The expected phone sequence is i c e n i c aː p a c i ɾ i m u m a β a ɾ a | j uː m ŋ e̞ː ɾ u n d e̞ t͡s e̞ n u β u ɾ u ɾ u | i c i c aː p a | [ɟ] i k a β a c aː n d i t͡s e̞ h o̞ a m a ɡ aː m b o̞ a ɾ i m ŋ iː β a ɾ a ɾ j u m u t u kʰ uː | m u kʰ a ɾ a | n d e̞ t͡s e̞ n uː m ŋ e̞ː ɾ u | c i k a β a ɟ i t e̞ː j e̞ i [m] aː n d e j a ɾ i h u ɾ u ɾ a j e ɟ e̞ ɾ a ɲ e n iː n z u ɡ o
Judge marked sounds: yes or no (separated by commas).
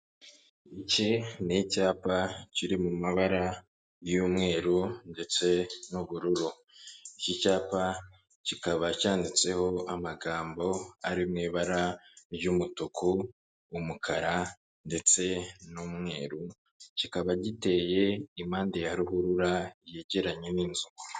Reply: no, yes